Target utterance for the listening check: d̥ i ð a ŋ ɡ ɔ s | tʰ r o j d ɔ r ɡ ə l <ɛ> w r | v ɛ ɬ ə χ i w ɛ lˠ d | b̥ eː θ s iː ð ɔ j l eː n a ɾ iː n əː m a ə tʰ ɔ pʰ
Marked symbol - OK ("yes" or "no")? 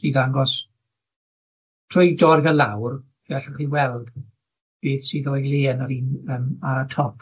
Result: no